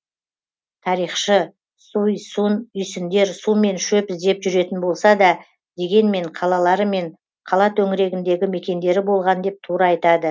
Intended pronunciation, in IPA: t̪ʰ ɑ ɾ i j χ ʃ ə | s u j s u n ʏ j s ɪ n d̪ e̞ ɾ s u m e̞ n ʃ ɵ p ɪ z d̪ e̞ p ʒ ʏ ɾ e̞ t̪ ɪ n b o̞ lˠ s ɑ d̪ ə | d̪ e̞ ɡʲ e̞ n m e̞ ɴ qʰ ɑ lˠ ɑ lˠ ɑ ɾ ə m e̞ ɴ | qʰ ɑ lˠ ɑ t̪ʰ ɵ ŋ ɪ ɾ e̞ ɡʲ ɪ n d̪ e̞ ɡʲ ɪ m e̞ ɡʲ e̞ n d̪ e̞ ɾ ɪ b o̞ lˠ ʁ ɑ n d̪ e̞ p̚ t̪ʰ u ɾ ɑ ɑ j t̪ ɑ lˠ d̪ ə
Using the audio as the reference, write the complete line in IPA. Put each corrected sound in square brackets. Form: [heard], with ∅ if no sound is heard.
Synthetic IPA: t̪ʰ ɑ ɾ i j χ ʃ ə | s u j s u n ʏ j s ɪ n d̪ e̞ ɾ s u m e̞ n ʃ ɵ p ɪ z d̪ e̞ p ʒ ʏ ɾ e̞ t̪ ɪ n b o̞ lˠ s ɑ d̪ [ɑ] | d̪ e̞ ɡʲ e̞ n m e̞ ɴ qʰ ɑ lˠ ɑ lˠ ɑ ɾ ə m e̞ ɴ | qʰ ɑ lˠ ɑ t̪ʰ ɵ ŋ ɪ ɾ e̞ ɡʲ ɪ n d̪ e̞ ɡʲ ɪ m e̞ [kʲ] e̞ n d̪ e̞ ɾ ɪ b o̞ lˠ ʁ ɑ n d̪ e̞ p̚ t̪ʰ u ɾ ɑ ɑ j t̪ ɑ [∅] d̪ ə

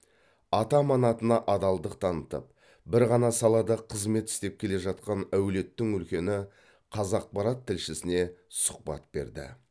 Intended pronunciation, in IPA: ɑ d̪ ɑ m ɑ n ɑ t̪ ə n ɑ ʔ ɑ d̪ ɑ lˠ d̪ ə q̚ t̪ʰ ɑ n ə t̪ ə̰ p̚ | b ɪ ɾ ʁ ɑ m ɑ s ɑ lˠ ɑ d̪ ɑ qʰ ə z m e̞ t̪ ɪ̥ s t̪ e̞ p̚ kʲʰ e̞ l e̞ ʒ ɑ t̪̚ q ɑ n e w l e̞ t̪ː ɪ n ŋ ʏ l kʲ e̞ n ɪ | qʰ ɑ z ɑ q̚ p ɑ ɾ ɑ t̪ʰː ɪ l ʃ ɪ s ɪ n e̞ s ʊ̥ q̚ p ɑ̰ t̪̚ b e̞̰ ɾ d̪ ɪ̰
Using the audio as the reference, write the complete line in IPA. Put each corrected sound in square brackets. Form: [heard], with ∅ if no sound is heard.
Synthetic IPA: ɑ [t̪] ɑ m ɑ n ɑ t̪ ə n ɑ ʔ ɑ d̪ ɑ lˠ d̪ ə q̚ t̪ʰ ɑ n ə t̪ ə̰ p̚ | b ɪ ɾ ʁ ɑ [n] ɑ s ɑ lˠ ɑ d̪ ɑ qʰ ə z m e̞ t̪ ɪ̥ s t̪ e̞ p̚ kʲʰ e̞ l e̞ ʒ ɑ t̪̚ q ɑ n [æ] w l e̞ t̪ː ɪ [∅] ŋ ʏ l kʲ e̞ n ɪ | qʰ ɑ z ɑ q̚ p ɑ ɾ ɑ t̪ʰː ɪ l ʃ ɪ s ɪ n e̞ s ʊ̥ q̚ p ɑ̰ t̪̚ b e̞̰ ɾ d̪ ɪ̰

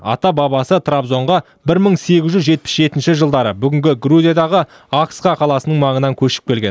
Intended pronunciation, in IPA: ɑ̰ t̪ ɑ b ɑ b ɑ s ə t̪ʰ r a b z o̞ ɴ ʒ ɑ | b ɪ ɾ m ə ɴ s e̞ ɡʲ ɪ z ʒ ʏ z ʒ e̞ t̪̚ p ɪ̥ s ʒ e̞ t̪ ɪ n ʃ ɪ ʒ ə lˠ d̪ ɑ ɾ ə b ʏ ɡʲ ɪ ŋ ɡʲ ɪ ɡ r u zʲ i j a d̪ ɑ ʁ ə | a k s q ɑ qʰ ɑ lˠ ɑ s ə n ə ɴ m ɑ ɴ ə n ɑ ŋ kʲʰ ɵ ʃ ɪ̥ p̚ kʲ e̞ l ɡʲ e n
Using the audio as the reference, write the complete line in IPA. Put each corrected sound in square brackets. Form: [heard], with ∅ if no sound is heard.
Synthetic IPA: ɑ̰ t̪ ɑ b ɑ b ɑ s ə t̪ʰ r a b z o̞ ɴ [ʁ] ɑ | b ɪ ɾ m ə ɴ s e̞ ɡʲ ɪ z ʒ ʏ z ʒ e̞ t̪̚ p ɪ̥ s ʒ e̞ t̪ ɪ n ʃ ɪ ʒ ə lˠ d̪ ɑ ɾ ə b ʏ ɡʲ ɪ ŋ ɡʲ ɪ ɡ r u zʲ i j a d̪ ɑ ʁ ə | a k s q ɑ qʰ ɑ lˠ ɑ s ə n ə ɴ m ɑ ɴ ə n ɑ ŋ kʲʰ ɵ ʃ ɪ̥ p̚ kʲ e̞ l ɡʲ e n

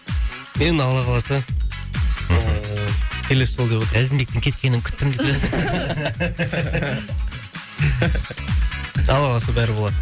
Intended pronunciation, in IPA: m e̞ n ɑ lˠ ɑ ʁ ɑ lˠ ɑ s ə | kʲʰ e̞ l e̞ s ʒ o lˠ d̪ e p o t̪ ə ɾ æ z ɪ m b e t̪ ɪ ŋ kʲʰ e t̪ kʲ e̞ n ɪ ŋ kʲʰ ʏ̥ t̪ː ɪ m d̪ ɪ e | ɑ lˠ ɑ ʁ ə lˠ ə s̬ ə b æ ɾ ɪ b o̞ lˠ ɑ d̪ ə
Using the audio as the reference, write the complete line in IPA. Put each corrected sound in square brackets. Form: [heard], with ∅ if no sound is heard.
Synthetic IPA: m e̞ n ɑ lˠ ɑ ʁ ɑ lˠ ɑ s ə | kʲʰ e̞ l e̞ s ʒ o lˠ d̪ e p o t̪ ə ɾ æ z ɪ m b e t̪ ɪ ŋ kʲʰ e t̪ kʲ e̞ n ɪ ŋ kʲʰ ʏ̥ t̪ː ɪ m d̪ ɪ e | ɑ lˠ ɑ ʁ [ɑ] lˠ [ɑ] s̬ ə b æ ɾ ɪ b o̞ lˠ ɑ d̪ ə

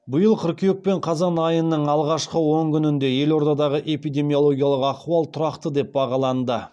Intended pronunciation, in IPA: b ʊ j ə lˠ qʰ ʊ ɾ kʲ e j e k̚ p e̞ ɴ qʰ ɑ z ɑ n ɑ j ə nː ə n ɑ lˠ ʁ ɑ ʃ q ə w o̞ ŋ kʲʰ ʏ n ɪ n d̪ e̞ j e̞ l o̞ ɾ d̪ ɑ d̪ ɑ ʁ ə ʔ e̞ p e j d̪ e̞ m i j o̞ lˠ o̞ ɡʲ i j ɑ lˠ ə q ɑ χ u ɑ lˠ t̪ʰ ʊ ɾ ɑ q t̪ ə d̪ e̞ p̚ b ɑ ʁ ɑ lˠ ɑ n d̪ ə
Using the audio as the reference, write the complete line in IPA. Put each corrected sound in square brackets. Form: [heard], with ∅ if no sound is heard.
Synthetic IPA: b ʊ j ə lˠ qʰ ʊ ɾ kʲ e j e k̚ p e̞ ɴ qʰ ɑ z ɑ n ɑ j ə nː ə [ɴ] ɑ lˠ ʁ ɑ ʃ q ə w o̞ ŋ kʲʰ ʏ n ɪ n d̪ e̞ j e̞ l o̞ ɾ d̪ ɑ d̪ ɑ ʁ ə ʔ e̞ p [i] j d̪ e̞ m i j o̞ lˠ o̞ ɡʲ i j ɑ lˠ ə q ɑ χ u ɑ lˠ t̪ʰ ʊ ɾ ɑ q t̪ ə d̪ e̞ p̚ b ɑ ʁ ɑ lˠ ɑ n d̪ ə

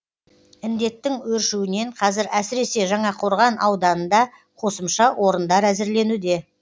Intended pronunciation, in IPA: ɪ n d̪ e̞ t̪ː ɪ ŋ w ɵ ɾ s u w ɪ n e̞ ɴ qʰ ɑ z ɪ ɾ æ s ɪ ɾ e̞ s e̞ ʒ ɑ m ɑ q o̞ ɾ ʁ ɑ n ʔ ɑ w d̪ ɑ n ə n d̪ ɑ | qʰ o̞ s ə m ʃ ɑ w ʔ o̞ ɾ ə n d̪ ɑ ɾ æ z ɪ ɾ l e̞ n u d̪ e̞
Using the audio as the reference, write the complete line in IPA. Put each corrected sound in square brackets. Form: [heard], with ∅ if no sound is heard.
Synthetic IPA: ɪ n d̪ e̞ t̪ː ɪ ŋ w ɵ ɾ [ʃ] u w ɪ n e̞ ɴ qʰ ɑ z ɪ ɾ æ s ɪ ɾ e̞ s e̞ ʒ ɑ [ɴ] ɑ [qʰ] o̞ ɾ ʁ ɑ n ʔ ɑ w d̪ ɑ n ə n d̪ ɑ | qʰ o̞ s ə m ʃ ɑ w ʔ o̞ ɾ ə n d̪ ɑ ɾ æ z ɪ ɾ l e̞ n u d̪ e̞

